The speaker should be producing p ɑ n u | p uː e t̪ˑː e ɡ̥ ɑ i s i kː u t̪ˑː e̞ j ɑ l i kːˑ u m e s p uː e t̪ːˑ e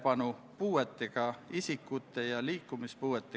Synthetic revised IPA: p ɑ n u | p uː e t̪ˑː e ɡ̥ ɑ i s i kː u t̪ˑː e̞ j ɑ l iː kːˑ u m i s p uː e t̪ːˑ e